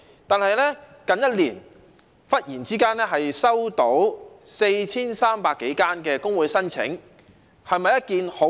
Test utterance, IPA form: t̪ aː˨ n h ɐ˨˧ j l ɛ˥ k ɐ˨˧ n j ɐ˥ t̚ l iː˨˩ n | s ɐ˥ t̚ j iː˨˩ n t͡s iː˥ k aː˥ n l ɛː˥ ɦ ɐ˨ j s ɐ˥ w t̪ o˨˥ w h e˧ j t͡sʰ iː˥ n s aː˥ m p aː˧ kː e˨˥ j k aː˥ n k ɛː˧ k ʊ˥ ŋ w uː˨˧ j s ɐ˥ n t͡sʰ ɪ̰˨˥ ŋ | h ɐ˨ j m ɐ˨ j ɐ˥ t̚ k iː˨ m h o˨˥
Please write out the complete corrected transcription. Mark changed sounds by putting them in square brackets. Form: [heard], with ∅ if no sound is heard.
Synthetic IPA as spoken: t̪ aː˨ n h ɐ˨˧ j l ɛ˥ k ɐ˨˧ n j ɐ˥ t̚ l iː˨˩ n | [f] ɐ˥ t̚ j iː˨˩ n t͡s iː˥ k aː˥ n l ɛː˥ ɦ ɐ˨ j s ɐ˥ w t̪ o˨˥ w [s] e˧ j t͡sʰ iː˥ n s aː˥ m p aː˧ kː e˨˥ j k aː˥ n k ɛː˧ k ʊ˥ ŋ w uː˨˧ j s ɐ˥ n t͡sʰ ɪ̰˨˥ ŋ | h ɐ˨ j m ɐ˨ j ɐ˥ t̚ k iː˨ [n] h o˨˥